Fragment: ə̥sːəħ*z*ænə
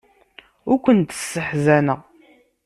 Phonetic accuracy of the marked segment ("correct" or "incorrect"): correct